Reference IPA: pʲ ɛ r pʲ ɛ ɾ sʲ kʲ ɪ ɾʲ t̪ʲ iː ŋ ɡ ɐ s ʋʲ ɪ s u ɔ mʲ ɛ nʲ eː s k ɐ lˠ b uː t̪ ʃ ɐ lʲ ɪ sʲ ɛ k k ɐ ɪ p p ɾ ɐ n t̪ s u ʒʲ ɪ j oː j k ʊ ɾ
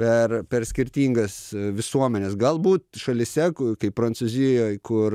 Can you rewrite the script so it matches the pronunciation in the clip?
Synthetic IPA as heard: pʲ ɛ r pʲ ɛ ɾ sʲ kʲ ɪ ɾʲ t̪ʲ iː ŋ ɡ ɐ s ʋʲ ɪ s u ɔ mʲ ɛ nʲ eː s ɡ ɐ lˠ b uː t̪ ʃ ɐ lʲ ɪ sʲ ɛ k k ɐ ɪ p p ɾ ɐ n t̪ s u zʲ ɪ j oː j k ʊ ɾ